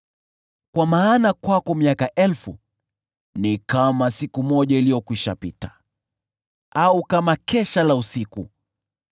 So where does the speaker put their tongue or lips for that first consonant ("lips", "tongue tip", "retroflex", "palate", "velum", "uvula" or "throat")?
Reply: velum